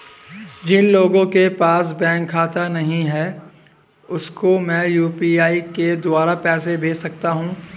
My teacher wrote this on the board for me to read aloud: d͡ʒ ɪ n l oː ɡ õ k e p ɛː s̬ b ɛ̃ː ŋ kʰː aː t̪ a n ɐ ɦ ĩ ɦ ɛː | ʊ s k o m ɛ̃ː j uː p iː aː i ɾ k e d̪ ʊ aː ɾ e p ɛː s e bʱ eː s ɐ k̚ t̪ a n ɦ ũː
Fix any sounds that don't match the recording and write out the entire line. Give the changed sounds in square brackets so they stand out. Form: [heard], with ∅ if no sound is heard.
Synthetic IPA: d͡ʒ ɪ n l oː ɡ õ k e p [aː] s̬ b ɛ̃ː ŋ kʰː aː t̪ a n ɐ ɦ ĩ ɦ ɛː | ʊ s k o m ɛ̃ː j uː p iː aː i [∅] k e d̪ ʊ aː ɾ [a] p ɛː s e bʱ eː s ɐ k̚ t̪ a [∅] ɦ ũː